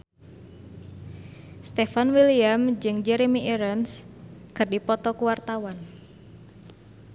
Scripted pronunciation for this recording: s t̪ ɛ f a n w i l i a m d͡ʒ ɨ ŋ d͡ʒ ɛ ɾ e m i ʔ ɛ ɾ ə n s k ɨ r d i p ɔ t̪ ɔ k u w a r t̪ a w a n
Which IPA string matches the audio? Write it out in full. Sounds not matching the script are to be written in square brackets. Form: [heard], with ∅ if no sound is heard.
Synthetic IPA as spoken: s t̪ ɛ f a n w i l i a m d͡ʒ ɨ ŋ d͡ʒ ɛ ɾ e m i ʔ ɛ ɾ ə n s k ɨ r d i p ɔ t̪ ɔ k u w a r t̪ a w a n